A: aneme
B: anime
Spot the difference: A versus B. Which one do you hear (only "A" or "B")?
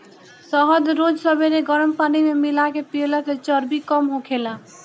B